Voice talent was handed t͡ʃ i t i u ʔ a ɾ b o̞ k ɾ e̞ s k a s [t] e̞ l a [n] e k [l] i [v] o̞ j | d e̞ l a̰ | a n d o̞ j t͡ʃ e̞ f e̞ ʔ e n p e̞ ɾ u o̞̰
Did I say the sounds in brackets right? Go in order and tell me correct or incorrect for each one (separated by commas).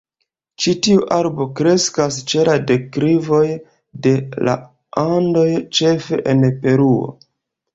incorrect, incorrect, incorrect, correct